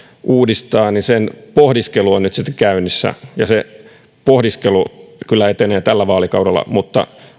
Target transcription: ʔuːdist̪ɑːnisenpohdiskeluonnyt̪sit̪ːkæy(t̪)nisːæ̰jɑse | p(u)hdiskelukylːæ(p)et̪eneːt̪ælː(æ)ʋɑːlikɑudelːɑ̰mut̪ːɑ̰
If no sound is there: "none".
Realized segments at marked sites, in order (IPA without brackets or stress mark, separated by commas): none, o, none, æ